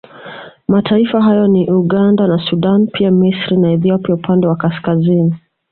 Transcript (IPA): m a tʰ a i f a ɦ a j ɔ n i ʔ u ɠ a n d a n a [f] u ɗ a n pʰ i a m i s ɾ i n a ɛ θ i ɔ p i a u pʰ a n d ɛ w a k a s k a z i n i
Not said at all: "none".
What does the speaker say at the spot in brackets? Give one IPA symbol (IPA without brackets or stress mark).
s